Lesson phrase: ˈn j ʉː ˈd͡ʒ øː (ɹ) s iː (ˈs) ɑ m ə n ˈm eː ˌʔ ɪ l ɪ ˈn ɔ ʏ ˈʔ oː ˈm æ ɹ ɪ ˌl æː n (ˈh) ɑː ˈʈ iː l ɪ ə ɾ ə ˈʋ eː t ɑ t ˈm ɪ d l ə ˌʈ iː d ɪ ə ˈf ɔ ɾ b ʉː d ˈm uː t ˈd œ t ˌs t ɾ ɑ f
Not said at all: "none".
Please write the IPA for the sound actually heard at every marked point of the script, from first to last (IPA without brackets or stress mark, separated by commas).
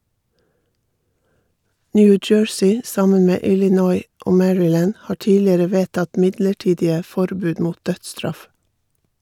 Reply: ɹ, s, h